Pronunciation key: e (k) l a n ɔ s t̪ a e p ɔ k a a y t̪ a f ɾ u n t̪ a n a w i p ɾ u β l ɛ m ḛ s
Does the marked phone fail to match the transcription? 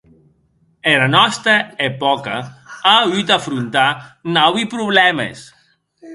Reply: yes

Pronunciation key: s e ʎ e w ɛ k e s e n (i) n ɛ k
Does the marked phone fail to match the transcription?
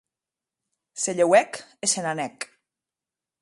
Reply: yes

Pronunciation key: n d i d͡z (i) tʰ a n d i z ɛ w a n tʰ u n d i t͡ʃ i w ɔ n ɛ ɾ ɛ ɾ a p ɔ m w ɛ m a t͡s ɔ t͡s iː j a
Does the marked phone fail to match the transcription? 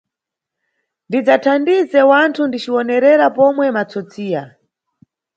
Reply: yes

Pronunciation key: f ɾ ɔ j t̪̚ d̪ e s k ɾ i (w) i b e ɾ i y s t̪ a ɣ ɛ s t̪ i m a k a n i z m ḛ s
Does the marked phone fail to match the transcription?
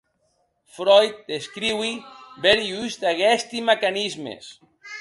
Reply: no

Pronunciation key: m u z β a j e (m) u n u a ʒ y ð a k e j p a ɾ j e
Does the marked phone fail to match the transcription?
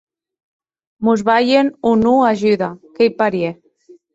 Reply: yes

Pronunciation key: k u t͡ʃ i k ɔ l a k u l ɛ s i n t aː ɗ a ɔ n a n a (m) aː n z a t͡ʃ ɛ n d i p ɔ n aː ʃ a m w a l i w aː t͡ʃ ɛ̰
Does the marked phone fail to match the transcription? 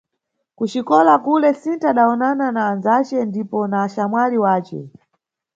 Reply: yes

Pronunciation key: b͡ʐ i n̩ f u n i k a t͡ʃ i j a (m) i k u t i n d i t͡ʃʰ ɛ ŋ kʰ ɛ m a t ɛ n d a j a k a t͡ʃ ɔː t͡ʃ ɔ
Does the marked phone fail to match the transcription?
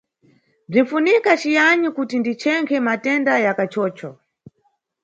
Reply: yes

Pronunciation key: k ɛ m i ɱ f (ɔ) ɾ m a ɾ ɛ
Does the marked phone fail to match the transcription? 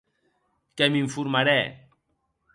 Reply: yes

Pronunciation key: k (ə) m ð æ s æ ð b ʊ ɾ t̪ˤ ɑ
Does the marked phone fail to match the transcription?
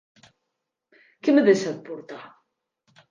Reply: no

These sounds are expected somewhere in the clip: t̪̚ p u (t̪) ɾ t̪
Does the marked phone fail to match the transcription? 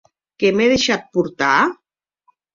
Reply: yes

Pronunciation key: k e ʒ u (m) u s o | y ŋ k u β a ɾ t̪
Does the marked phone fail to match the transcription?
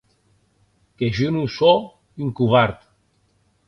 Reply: yes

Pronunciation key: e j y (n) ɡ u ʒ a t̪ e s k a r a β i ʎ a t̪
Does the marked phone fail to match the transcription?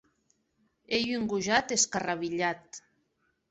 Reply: yes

